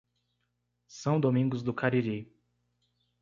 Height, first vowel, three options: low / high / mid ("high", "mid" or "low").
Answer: low